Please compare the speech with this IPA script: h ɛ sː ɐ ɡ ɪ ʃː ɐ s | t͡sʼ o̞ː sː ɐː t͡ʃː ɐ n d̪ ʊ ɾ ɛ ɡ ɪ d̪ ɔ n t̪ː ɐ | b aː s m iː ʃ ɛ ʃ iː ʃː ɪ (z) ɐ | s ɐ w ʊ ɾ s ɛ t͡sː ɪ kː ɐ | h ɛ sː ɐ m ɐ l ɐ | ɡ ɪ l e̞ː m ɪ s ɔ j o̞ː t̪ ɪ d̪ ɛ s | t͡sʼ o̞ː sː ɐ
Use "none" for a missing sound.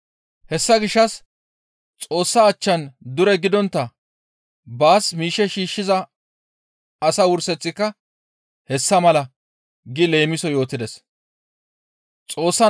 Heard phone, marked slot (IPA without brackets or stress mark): z